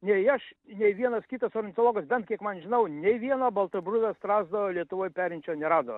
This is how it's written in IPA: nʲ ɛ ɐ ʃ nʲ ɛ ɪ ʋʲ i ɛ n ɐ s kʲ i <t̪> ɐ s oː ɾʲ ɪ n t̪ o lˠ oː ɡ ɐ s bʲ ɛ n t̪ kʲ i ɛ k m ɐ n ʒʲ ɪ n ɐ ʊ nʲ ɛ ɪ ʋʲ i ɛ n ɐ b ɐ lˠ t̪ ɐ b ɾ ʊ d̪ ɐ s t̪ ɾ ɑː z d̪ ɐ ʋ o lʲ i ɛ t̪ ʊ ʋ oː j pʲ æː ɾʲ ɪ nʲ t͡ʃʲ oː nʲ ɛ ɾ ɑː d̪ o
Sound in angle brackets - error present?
no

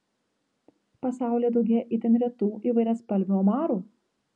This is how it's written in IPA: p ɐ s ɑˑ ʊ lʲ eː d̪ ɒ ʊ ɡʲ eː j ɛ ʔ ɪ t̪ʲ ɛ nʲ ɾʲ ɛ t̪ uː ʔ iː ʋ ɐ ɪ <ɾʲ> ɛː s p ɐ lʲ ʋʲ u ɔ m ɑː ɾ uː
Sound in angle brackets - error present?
no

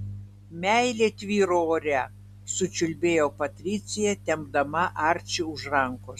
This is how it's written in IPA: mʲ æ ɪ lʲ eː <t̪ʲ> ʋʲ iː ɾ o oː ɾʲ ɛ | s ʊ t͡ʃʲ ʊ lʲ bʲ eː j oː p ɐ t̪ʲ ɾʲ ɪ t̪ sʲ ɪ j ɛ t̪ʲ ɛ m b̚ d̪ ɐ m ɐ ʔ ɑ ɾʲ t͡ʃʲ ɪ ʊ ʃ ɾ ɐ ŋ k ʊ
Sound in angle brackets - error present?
no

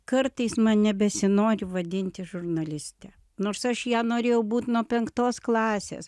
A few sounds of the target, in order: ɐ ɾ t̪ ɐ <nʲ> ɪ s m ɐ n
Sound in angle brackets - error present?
yes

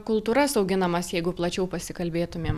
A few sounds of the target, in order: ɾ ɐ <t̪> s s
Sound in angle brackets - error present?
yes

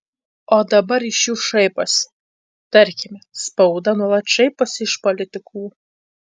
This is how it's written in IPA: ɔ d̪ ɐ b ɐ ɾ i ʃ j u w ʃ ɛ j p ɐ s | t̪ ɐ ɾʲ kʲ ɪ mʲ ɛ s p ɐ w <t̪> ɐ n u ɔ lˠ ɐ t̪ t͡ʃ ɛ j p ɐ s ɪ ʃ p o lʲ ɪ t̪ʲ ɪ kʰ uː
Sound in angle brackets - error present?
yes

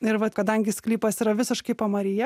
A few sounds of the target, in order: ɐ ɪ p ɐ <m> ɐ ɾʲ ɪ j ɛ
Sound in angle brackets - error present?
no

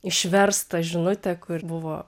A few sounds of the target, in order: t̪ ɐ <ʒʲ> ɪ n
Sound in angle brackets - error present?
no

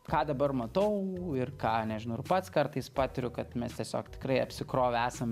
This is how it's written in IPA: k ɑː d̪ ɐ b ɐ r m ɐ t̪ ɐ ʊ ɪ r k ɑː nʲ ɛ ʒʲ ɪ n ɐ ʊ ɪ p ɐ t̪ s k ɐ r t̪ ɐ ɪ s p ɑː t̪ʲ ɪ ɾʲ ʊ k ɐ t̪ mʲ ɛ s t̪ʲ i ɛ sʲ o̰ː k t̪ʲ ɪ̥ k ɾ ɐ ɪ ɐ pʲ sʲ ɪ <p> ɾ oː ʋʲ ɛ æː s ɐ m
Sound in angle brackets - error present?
yes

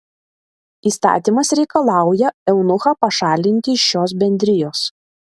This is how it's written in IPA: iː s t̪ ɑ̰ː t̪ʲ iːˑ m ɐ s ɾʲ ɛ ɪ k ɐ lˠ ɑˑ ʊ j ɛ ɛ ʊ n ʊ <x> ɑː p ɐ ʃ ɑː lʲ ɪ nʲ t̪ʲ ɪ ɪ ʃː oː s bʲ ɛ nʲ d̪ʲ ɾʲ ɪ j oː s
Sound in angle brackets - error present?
no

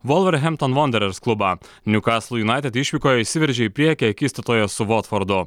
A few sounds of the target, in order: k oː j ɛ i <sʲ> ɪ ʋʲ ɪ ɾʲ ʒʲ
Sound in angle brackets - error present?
no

